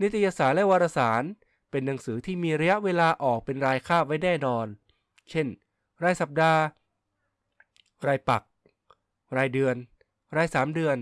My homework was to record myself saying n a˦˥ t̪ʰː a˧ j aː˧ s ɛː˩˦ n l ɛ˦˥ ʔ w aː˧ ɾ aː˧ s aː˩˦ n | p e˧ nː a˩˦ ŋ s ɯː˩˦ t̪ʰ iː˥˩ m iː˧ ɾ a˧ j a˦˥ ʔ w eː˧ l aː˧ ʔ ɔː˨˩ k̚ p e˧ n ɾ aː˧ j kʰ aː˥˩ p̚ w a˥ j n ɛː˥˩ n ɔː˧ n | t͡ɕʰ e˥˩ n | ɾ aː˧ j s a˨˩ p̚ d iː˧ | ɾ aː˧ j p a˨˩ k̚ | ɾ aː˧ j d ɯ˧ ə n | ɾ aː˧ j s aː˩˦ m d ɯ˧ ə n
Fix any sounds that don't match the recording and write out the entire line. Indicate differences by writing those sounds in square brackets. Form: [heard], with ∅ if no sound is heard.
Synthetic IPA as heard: n [i˦˥] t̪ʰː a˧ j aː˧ s [aː˩˦] n l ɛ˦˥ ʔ w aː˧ ɾ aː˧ s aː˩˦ n | p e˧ nː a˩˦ ŋ s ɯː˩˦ t̪ʰ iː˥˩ m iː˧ ɾ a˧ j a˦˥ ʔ w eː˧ l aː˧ ʔ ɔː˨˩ k̚ p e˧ n ɾ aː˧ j kʰ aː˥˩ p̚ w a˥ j n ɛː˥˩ n ɔː˧ n | t͡ɕʰ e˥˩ n | ɾ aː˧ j s a˨˩ p̚ d [aː˧] | ɾ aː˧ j p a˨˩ k̚ | ɾ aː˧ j d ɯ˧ ə n | ɾ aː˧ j s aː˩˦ m d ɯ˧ ə n